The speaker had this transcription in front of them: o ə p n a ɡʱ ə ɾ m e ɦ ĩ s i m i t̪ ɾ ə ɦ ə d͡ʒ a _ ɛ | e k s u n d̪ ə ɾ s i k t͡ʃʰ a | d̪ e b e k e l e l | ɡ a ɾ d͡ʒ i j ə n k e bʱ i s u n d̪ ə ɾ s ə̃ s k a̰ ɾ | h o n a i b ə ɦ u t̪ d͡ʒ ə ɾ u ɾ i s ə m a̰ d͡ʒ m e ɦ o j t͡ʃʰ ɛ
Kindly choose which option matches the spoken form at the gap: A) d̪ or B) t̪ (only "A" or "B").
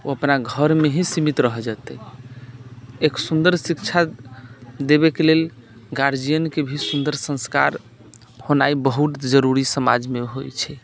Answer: B